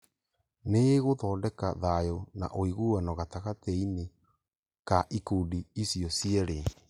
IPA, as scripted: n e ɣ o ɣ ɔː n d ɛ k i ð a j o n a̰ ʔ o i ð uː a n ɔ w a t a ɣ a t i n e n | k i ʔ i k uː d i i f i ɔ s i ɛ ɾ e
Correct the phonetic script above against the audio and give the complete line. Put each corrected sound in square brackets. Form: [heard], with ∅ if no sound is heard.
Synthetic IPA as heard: n e ɣ o [ð] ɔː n d ɛ k [a] ð a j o n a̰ ʔ o i [ɣ] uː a n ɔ [ɣ] a t a ɣ a t i n e [∅] | k [a] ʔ i k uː d i i [s] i ɔ s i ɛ ɾ e